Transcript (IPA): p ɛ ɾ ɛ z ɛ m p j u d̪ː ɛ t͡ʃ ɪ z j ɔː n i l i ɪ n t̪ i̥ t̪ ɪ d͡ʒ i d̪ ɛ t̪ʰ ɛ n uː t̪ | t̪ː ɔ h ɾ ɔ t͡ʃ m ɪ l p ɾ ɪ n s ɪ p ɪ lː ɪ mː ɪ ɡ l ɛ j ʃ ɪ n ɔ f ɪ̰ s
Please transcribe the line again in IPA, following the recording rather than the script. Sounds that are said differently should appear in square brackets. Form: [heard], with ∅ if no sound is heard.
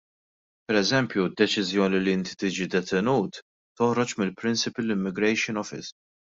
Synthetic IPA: p ɛ ɾ ɛ z ɛ m p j u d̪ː ɛ t͡ʃ ɪ z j ɔː n i l i ɪ n t̪ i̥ t̪ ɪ d͡ʒ i d̪ ɛ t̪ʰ ɛ n uː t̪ | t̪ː ɔ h ɾ ɔ t͡ʃ m ɪ l p ɾ ɪ n s ɪ p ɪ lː ɪ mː ɪ ɡ [ɾ] ɛ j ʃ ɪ n ɔ f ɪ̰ s